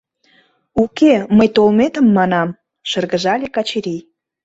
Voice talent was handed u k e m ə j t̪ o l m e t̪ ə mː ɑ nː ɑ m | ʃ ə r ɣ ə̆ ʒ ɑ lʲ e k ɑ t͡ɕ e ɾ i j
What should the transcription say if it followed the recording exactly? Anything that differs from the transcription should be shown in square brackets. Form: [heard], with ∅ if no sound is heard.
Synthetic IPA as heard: u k e m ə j t̪ o l m e t̪ ə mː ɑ [n] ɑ m | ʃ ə r ɣ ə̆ ʒ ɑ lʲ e k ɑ t͡ɕ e ɾ i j